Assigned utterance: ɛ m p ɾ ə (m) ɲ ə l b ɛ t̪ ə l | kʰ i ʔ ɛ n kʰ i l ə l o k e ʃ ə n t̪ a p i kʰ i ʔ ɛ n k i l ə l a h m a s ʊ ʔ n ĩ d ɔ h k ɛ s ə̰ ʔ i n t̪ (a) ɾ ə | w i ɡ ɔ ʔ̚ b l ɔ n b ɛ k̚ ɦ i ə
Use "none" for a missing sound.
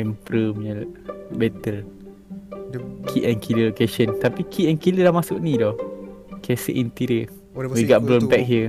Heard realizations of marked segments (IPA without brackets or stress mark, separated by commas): m, i